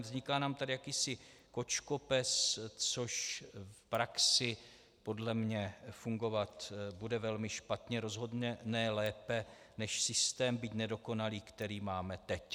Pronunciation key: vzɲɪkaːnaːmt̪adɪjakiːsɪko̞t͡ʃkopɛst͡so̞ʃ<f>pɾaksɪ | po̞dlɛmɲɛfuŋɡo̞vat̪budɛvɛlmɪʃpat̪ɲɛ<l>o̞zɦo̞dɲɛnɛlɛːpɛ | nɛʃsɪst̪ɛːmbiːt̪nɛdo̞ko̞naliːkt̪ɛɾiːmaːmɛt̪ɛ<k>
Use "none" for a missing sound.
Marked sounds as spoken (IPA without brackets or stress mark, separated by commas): f, ɾ, c